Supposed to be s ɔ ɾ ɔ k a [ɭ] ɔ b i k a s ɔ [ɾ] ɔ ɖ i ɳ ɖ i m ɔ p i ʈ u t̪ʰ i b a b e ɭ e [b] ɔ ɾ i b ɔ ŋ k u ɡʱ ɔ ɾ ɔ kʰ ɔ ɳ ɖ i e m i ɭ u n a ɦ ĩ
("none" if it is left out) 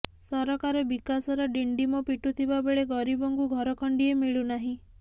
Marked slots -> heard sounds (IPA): ɾ, ɾ, ɡ

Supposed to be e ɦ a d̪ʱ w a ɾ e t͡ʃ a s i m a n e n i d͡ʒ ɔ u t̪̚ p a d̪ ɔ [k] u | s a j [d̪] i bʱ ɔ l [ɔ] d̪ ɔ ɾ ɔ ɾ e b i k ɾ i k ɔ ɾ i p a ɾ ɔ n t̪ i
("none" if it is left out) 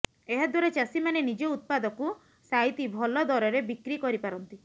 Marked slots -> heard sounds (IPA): k, t̪, ɔ

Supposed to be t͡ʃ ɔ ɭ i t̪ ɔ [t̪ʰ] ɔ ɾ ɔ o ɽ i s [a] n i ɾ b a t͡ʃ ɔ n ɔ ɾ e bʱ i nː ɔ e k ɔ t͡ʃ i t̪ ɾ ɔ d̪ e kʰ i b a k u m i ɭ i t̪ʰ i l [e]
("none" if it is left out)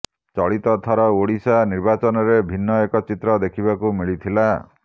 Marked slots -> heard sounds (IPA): t̪ʰ, a, a

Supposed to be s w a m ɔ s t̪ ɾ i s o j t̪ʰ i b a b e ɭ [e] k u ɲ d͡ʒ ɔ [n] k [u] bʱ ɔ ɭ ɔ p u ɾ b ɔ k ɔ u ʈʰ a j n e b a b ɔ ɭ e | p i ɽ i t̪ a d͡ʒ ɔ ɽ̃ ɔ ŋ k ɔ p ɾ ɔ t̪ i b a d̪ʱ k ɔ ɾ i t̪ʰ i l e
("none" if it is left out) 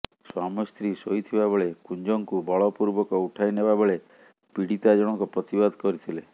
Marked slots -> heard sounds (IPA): e, ŋ, u

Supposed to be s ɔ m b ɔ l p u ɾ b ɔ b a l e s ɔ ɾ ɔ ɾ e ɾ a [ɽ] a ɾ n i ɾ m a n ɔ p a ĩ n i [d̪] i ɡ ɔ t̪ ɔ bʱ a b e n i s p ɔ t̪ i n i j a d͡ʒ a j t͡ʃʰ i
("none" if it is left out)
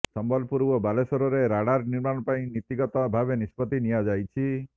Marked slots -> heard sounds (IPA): ɽ, t̪

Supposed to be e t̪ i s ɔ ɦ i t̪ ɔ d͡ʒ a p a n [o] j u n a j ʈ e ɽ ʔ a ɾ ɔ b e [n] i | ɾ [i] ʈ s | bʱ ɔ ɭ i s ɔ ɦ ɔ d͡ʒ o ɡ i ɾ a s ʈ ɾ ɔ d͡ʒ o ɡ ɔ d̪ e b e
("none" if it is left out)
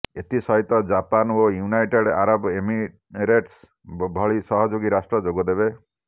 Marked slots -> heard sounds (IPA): o, m, e

